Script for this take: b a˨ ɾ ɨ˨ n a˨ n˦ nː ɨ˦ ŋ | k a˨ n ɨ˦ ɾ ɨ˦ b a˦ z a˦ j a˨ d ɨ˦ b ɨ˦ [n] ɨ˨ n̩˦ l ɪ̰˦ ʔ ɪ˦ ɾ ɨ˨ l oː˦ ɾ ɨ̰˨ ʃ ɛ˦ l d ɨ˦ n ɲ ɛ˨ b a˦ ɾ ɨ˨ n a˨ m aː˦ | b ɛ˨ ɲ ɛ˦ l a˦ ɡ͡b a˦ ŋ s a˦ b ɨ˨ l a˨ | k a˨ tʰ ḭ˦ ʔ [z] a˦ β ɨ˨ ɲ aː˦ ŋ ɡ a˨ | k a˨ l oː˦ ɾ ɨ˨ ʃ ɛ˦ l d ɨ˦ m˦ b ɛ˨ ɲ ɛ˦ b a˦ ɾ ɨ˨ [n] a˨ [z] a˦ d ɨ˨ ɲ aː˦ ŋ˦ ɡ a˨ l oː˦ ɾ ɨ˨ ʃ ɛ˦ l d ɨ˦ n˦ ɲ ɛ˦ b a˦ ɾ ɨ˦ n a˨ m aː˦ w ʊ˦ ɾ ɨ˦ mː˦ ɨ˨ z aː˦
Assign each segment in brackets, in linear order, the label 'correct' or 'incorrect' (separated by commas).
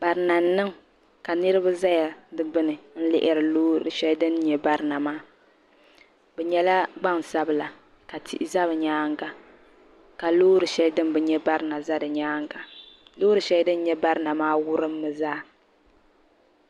correct, correct, correct, correct